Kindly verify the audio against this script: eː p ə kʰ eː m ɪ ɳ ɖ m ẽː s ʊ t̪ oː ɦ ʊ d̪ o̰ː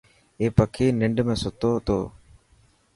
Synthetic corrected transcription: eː p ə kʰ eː n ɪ ɳ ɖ m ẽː s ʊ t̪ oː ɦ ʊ t̪ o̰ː